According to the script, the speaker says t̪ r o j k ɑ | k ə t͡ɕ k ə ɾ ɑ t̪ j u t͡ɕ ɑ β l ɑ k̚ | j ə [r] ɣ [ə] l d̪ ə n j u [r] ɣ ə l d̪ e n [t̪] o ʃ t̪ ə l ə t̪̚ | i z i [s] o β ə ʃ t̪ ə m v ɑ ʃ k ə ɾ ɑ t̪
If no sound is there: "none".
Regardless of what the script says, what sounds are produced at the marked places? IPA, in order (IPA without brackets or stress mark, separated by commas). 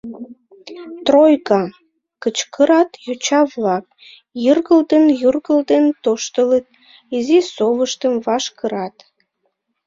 r, ə, r, t̪, s